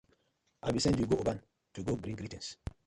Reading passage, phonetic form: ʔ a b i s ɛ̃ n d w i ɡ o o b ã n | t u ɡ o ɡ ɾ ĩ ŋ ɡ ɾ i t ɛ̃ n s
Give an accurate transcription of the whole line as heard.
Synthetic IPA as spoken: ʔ a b i s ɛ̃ n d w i ɡ o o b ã n | t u ɡ o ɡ ɾ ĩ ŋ ɡ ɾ i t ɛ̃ n s